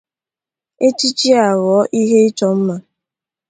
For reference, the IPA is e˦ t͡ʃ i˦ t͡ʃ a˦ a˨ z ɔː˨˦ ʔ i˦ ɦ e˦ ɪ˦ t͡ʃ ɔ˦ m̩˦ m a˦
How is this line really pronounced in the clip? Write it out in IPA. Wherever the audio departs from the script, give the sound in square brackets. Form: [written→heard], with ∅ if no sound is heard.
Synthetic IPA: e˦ t͡ʃ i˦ t͡ʃ [a˦→i˦] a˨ [z→ɣ] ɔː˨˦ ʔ i˦ ɦ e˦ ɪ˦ t͡ʃ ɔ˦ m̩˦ m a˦

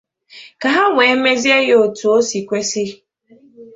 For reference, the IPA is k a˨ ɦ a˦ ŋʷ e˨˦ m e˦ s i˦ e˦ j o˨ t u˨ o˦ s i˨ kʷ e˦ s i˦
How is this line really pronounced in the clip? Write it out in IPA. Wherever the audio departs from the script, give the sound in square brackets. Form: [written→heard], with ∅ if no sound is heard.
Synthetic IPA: k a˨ ɦ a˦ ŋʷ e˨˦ m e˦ [s→z] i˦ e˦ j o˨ t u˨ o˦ s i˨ kʷ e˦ s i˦

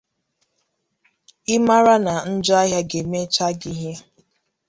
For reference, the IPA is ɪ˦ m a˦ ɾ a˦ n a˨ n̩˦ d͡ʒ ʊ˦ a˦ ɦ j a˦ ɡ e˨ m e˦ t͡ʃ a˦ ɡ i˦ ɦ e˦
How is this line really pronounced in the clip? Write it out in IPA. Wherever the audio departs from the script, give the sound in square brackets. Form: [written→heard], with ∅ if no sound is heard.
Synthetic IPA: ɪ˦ m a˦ ɾ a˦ n a˨ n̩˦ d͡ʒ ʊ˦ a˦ ɦ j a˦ ɡ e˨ m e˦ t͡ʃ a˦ ɡ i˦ ɦ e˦

